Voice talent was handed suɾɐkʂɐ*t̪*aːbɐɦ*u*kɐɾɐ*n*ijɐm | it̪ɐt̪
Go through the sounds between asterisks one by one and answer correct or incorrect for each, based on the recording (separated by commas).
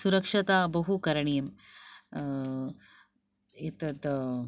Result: correct, correct, incorrect